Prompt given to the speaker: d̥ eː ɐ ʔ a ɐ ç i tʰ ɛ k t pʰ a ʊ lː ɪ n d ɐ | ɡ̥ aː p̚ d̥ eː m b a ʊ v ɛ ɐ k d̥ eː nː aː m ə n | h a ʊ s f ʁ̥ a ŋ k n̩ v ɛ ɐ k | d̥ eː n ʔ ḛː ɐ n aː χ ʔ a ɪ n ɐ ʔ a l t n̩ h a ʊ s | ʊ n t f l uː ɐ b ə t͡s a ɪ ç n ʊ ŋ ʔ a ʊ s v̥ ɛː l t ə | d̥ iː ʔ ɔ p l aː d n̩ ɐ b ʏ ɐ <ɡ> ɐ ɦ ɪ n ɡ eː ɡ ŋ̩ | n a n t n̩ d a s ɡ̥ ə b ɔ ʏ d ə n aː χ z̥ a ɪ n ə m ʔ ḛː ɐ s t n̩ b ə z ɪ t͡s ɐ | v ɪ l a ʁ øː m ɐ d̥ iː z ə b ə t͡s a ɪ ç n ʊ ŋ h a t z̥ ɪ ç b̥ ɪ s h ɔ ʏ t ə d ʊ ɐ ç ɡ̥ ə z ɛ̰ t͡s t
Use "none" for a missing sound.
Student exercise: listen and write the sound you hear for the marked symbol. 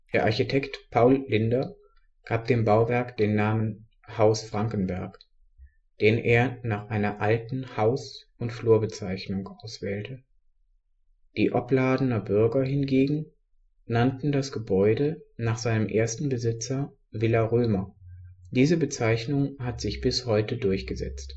ɡ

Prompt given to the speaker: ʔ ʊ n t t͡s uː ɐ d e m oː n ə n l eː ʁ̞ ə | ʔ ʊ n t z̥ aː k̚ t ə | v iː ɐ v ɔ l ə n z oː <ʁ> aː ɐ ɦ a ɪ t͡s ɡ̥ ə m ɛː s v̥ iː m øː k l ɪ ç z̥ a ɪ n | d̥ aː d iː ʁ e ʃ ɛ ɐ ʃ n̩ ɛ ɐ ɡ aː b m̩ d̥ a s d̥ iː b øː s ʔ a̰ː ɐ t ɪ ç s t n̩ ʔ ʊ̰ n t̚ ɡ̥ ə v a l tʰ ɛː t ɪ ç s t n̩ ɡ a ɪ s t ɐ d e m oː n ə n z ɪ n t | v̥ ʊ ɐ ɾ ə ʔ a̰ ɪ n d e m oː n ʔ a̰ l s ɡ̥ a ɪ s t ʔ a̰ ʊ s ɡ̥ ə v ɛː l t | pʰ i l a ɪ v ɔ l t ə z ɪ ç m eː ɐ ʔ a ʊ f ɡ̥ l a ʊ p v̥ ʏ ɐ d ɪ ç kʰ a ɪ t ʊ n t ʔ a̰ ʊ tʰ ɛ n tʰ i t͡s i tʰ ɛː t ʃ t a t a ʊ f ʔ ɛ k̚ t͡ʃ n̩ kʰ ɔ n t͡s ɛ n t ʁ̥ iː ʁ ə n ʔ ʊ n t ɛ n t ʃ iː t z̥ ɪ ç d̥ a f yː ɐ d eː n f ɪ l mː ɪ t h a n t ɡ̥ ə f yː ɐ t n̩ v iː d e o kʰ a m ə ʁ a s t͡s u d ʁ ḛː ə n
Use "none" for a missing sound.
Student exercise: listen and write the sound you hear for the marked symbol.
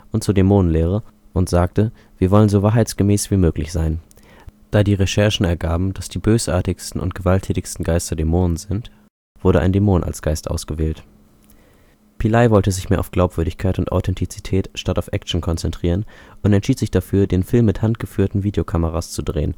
v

